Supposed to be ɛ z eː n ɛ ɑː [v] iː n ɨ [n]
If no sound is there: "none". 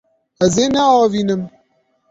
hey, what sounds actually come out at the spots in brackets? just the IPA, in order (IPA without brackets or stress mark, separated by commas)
v, m